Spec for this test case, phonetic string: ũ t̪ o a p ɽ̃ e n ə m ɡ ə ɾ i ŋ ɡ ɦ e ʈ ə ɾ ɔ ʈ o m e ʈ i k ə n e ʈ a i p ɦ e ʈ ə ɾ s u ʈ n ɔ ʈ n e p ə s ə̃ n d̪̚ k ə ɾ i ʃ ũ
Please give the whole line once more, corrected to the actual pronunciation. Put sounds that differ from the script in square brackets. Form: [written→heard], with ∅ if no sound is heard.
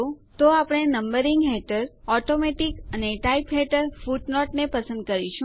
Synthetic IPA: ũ t̪ o a p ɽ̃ e n ə m [ɡ→b] ə ɾ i ŋ ɡ ɦ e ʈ ə ɾ ɔ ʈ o m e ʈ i k ə n e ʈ a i p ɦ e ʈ ə ɾ [s→f] u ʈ n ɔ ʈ n e p ə s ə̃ n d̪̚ k ə ɾ i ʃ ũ